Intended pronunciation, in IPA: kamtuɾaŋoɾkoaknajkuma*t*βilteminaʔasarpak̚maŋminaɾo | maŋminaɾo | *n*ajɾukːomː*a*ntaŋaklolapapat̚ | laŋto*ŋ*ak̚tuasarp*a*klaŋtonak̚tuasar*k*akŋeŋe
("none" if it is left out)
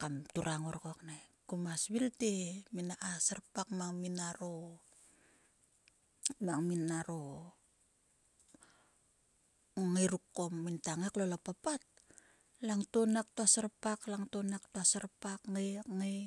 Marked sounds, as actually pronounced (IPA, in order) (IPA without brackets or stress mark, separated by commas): s, ŋ, i, n, a, p